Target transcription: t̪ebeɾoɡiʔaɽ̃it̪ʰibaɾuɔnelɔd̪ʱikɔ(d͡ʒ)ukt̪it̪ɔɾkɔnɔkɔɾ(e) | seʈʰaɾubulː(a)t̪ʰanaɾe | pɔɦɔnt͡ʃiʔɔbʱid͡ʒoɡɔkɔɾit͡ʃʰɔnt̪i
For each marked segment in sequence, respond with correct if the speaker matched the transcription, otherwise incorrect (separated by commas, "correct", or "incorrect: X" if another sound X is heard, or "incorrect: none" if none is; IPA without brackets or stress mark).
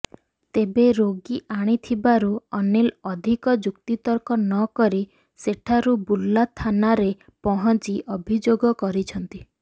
correct, incorrect: i, correct